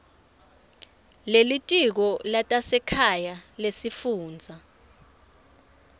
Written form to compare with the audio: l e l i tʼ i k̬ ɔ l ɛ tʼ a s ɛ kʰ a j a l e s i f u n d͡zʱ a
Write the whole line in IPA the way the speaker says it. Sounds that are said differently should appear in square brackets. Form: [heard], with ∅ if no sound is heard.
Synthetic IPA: l e l i tʼ i k̬ ɔ l [a] tʼ a s ɛ kʰ a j a l e s i f [uː] n d͡zʱ a

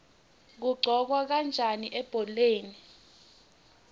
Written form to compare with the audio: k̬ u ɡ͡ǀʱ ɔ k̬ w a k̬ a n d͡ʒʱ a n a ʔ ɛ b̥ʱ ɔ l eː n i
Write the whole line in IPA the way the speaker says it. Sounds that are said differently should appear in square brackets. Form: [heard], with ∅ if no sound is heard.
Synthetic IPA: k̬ u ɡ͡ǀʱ ɔ k̬ w a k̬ a n d͡ʒʱ a n [i] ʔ ɛ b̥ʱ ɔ l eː n i

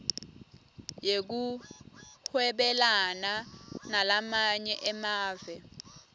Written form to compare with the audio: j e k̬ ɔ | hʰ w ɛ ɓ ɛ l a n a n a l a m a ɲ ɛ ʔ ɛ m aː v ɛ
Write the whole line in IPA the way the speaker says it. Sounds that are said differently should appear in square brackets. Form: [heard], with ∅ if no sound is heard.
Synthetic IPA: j e k̬ [u] | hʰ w ɛ ɓ ɛ l a n a n a l a m a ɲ ɛ ʔ ɛ m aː v ɛ

